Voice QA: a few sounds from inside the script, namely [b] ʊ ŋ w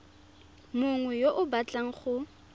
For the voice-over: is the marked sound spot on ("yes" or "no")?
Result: no